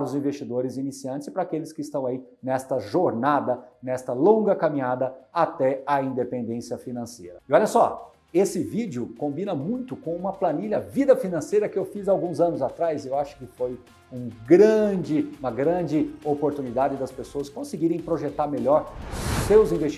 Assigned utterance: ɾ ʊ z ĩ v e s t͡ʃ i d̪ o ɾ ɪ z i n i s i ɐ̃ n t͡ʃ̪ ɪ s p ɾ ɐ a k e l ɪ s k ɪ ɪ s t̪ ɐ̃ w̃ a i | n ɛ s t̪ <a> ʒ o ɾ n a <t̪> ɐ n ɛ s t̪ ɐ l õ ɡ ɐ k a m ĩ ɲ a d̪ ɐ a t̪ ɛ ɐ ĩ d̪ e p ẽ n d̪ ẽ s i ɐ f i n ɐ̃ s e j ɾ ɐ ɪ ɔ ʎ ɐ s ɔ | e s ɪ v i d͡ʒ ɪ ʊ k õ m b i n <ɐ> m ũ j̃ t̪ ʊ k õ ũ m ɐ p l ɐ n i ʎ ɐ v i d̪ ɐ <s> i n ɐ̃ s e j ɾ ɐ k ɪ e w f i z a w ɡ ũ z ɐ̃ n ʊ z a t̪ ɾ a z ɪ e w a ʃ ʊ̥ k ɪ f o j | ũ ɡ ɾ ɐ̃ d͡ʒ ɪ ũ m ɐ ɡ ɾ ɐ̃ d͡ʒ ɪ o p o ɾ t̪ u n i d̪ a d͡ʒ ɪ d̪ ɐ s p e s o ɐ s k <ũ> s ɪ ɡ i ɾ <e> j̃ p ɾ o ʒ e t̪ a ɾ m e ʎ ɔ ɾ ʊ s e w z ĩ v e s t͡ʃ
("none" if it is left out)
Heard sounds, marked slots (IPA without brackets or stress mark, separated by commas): ɐ, d̪, ɐ, f, õ, ẽ